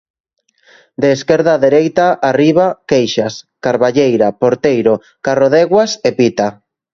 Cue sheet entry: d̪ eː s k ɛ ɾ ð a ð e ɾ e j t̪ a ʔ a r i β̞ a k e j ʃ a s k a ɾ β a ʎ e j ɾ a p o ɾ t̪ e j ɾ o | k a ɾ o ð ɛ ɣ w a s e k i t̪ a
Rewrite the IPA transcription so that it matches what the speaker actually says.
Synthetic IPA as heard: d̪ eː s k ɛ ɾ ð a ð e ɾ e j t̪ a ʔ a r i β̞ a k e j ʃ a s k a ɾ β a ʎ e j ɾ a p o ɾ t̪ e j ɾ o | k a r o ð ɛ ɣ w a s e p i t̪ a